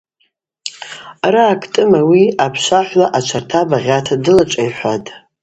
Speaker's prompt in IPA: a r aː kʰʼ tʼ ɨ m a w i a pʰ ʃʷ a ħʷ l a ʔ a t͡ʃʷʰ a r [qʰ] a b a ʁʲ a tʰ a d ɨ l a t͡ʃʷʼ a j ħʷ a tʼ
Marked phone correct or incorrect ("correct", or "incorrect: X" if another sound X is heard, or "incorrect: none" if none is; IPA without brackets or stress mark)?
incorrect: tʰ